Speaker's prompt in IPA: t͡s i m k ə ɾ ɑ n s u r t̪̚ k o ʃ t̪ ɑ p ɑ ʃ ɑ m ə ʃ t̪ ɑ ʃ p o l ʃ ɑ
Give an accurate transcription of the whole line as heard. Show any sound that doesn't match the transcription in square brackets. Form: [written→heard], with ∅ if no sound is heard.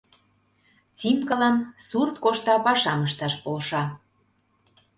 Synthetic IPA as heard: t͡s i m k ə [ɾ→l] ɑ n s u r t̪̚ k o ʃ t̪ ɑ p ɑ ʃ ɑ m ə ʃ t̪ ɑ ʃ p o l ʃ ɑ